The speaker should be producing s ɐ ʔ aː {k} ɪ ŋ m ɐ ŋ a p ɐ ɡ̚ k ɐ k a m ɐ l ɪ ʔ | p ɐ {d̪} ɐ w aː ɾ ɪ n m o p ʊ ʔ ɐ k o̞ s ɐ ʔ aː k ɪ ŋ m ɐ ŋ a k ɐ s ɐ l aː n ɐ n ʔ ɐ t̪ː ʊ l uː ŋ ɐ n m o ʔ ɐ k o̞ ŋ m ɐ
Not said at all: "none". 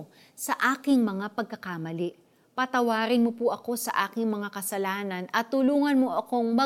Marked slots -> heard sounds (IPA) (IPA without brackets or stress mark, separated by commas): k, t̪